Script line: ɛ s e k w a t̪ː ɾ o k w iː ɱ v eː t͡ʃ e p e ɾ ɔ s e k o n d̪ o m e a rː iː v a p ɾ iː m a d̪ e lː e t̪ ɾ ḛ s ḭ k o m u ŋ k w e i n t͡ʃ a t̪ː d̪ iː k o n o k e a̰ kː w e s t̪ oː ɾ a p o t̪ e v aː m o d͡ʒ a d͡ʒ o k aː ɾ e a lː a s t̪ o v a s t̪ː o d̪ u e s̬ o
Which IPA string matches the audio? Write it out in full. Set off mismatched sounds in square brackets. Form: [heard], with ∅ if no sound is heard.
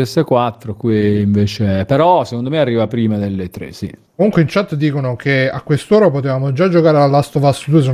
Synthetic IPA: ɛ s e k w a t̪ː ɾ o k w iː ɱ v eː t͡ʃ e p e ɾ ɔ s e k o n d̪ o m e a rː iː v a p ɾ iː m a d̪ e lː e t̪ ɾ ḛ s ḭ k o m u ŋ k w e i n t͡ʃ a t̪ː d̪ iː k o n o k e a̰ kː w e s t̪ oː ɾ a p o t̪ e v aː m o d͡ʒ a d͡ʒ o k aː ɾ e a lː a s t̪ o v a s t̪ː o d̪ u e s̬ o